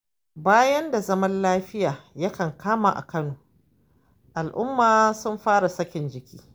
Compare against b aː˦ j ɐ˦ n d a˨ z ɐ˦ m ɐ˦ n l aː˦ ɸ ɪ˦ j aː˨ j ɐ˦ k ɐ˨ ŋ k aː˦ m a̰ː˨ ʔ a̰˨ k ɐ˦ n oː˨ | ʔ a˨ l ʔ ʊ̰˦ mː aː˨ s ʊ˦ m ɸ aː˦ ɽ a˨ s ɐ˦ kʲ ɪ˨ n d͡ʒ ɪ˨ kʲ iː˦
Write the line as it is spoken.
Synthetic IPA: b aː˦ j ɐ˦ n d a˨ z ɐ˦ m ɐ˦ n l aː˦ ɸ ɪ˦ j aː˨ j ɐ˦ k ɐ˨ ŋ k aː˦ m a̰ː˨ ʔ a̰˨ k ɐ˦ n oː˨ | ʔ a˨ l ʔ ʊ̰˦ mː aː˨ s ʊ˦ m ɸ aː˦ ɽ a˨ s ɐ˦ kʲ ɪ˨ n d͡ʒ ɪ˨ kʲ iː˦

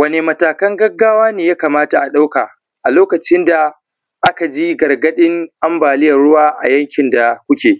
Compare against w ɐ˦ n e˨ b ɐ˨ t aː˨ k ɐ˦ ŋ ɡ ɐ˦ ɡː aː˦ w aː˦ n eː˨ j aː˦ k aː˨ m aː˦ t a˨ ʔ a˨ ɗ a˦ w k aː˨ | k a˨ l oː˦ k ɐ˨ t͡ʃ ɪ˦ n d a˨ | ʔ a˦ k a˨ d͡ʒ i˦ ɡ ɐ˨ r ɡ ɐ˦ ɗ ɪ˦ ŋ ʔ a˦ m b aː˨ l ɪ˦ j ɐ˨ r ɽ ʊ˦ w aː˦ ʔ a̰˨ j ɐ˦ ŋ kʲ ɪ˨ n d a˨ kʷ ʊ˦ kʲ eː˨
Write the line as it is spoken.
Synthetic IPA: w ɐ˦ n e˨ m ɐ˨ t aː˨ k ɐ˦ ŋ ɡ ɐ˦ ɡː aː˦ w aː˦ n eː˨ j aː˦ k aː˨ m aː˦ t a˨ ʔ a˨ ɗ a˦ w k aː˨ | ʔ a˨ l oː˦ k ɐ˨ t͡ʃ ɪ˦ n d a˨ | ʔ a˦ k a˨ d͡ʒ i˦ ɡ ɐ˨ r ɡ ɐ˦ ɗ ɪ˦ ŋ ʔ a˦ m b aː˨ l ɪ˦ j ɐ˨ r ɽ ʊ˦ w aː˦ ʔ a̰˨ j ɐ˦ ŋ kʲ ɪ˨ n d a˨ kʷ ʊ˦ kʲ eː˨

